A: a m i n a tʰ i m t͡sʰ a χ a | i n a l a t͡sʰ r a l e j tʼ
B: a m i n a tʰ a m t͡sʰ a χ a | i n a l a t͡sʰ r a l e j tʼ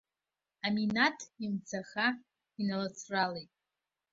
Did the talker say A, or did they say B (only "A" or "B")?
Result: A